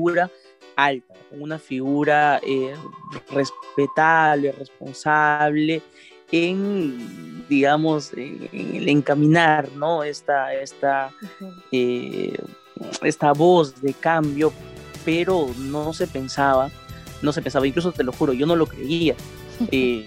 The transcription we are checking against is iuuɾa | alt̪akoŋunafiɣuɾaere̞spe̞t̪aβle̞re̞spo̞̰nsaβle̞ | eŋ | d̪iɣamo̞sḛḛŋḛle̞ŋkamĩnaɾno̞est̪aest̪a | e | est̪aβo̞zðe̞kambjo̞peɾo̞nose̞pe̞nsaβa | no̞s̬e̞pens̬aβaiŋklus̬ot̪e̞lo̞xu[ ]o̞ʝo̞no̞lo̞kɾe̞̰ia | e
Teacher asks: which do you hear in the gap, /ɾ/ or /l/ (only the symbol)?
ɾ